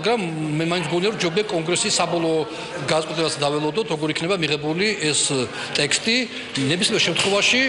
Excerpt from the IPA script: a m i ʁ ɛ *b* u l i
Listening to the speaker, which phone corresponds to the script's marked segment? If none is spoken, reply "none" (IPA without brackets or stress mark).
b